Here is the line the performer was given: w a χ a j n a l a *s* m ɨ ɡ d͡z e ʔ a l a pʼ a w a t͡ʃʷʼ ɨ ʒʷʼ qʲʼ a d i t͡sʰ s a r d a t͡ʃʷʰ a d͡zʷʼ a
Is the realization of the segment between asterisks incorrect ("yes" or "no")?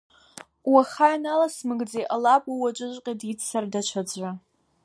no